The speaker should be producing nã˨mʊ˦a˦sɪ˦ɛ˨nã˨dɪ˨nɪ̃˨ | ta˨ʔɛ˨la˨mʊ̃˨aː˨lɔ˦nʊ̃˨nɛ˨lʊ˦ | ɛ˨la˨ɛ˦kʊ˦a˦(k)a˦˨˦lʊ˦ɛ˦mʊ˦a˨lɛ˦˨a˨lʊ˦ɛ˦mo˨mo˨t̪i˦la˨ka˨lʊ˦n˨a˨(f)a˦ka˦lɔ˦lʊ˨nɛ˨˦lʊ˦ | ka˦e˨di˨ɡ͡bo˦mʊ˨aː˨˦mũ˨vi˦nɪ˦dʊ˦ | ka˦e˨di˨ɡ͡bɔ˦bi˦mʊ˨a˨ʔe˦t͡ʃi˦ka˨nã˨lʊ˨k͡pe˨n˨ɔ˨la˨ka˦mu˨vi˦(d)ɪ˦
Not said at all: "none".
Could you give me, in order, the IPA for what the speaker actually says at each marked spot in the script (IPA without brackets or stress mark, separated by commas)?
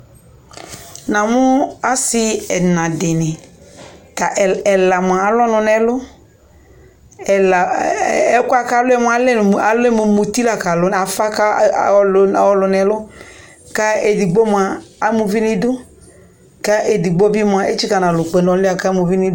k, f, n